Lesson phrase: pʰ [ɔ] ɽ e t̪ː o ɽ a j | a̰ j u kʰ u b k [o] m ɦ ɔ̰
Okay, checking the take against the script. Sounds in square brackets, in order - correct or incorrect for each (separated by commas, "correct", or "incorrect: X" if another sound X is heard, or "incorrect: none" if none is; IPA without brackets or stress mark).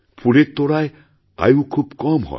incorrect: u, incorrect: ɔ